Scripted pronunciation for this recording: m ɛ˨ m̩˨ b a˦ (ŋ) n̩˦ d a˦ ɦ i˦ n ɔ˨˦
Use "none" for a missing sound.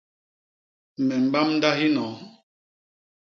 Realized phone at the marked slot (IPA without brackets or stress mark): m